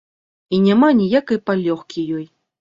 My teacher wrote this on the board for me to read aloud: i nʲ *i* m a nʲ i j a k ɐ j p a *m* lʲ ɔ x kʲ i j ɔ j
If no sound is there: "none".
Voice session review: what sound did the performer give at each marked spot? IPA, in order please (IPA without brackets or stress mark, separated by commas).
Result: a, none